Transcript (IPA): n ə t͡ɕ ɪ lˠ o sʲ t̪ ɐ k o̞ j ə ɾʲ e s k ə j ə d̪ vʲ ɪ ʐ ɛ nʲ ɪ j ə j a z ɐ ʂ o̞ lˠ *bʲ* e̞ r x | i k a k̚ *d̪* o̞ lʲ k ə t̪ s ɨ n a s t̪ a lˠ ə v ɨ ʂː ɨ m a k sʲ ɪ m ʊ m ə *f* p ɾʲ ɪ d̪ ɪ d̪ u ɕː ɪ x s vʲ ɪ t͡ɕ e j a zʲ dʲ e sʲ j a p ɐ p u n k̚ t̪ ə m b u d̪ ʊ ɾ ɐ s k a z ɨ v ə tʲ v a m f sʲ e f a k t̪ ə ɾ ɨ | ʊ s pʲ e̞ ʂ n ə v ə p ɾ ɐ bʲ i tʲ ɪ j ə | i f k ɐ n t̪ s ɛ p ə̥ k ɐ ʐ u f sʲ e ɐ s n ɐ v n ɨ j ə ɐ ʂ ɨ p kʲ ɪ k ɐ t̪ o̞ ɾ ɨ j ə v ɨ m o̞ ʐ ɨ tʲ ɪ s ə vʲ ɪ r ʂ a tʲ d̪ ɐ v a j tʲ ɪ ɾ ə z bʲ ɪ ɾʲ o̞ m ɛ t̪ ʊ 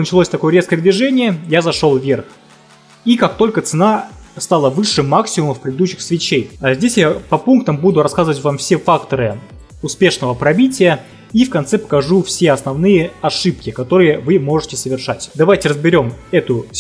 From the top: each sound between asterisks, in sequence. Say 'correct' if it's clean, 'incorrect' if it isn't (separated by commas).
incorrect, incorrect, correct